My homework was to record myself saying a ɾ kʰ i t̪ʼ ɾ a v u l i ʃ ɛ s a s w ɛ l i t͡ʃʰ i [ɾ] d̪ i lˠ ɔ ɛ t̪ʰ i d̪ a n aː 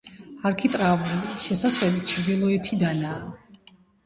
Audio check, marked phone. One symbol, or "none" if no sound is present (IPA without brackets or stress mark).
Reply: ɾ